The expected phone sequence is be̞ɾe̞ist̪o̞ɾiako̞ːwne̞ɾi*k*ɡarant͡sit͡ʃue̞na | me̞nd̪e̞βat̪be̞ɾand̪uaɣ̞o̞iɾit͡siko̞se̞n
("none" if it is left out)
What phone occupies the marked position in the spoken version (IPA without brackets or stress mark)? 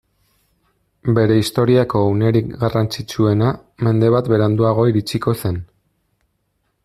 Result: k